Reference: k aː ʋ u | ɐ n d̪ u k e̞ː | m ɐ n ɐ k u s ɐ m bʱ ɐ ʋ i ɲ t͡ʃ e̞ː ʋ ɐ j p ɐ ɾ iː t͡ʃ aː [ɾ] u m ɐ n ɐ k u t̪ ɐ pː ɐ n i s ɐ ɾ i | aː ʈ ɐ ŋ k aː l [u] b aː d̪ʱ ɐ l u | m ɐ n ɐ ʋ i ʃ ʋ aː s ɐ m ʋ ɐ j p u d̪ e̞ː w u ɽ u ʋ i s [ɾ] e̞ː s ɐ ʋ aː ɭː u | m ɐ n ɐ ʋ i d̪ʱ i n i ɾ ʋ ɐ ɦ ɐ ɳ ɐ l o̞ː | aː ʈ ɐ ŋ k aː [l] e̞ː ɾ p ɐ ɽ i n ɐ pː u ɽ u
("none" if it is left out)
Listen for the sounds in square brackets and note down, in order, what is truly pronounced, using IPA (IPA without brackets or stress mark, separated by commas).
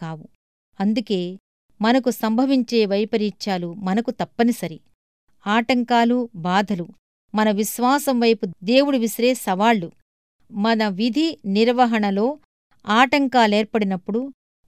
l, u, ɾ, l